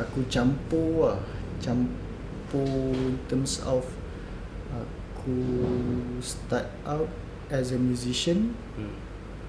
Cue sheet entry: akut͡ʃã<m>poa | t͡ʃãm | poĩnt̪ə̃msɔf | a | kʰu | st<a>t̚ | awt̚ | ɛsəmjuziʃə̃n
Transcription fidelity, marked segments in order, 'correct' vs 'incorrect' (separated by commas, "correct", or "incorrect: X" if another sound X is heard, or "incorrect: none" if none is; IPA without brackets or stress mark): correct, correct